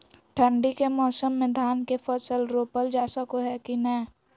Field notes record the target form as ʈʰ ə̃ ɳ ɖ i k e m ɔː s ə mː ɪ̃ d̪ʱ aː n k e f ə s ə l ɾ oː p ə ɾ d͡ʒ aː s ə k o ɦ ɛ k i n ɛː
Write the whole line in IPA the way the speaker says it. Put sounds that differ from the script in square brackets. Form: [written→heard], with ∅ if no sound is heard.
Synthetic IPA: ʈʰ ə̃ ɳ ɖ i k e m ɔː s ə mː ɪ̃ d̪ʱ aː n k e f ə s ə l ɾ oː p ə [ɾ→l] d͡ʒ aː s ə k o ɦ ɛ k i n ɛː